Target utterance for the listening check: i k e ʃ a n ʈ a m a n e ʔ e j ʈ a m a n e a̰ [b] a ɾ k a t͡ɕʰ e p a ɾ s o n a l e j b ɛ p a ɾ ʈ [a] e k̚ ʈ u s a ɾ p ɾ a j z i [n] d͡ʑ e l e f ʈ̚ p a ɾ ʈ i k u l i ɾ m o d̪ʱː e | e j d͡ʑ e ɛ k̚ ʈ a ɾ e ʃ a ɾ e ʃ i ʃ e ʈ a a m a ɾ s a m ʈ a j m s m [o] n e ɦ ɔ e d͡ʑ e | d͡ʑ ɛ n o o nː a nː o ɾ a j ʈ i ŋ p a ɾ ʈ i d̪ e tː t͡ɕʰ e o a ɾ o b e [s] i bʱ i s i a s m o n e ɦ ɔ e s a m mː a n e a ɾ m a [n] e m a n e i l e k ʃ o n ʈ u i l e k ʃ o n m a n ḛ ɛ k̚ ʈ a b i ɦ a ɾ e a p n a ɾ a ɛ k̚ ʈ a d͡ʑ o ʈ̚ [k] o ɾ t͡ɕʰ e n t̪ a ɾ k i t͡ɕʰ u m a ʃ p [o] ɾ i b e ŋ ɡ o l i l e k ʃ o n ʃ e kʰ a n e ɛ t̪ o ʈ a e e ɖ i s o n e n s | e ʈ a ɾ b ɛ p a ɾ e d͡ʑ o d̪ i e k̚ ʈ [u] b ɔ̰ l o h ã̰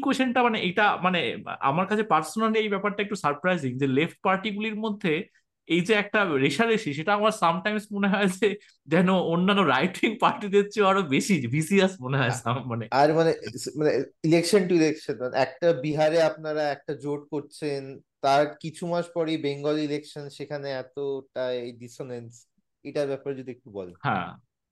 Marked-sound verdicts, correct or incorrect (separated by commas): incorrect, correct, incorrect, correct, incorrect, correct, correct, incorrect, correct